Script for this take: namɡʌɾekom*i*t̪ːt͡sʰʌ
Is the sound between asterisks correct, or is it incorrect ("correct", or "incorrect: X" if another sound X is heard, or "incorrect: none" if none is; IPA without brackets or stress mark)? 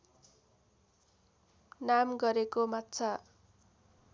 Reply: incorrect: a